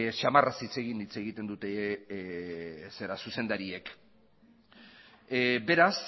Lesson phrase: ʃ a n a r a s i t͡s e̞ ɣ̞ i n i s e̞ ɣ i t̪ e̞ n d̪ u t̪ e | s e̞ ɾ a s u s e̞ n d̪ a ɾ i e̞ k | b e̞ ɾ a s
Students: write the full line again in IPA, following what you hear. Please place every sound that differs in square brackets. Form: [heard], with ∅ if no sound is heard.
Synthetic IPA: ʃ a [m] a r a s i t͡s e̞ ɣ̞ i n i [t͡s] e̞ ɣ i t̪ e̞ n d̪ u t̪ e | s e̞ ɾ a s u s e̞ n d̪ a ɾ i e̞ k | b e̞ ɾ a s